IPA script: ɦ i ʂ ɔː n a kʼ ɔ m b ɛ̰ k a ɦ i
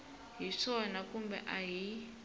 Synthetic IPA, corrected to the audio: ɦ i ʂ ɔ n a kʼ u m b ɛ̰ ʔ a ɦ i